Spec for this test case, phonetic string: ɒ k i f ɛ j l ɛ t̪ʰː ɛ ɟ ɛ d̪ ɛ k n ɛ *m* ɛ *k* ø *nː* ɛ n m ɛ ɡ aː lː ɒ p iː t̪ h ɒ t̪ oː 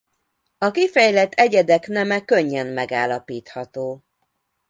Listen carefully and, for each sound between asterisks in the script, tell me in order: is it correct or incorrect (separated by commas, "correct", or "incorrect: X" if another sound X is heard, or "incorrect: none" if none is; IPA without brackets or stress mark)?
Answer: correct, correct, incorrect: ɲː